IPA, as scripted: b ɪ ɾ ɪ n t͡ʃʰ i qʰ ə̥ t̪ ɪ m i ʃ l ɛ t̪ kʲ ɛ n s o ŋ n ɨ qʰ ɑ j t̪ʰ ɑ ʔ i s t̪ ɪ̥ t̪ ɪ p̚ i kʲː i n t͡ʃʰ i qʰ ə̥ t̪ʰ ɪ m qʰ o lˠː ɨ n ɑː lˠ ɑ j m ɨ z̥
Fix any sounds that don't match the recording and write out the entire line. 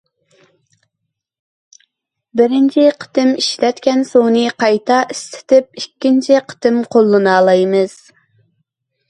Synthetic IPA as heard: b ɪ ɾ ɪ n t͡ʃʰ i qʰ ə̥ t̪ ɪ m i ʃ l ɛ t̪ kʲ ɛ n s o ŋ n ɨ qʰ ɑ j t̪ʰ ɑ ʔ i s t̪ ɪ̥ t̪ ɪ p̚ i kʲː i n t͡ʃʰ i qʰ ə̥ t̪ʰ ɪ m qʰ o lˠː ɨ n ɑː lˠ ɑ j m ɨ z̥